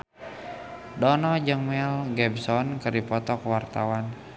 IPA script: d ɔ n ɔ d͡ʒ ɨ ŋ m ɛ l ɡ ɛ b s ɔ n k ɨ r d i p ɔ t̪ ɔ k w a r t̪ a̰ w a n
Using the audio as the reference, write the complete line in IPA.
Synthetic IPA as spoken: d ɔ n ɔ d͡ʒ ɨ ŋ m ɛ l ɡ ɛ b s ɔ n k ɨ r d i p ɔ t̪ ɔ k w a r t̪ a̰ w a n